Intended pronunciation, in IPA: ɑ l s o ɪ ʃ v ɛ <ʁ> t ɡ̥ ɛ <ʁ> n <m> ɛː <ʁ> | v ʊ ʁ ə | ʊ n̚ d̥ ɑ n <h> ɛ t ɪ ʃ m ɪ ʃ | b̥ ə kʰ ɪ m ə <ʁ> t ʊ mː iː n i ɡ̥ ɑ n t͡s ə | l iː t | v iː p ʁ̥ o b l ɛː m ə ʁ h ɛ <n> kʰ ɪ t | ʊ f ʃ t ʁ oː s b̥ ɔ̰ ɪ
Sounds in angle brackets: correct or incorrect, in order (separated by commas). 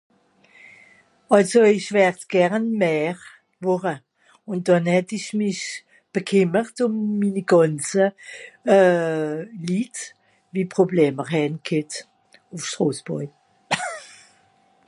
correct, correct, correct, correct, correct, correct, correct